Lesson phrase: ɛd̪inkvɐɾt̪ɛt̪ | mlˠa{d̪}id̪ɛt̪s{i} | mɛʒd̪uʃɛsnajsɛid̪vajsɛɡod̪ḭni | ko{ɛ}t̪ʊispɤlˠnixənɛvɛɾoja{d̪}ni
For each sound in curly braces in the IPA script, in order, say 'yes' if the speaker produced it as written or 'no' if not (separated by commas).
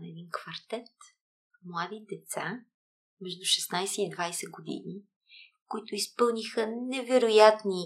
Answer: yes, no, no, no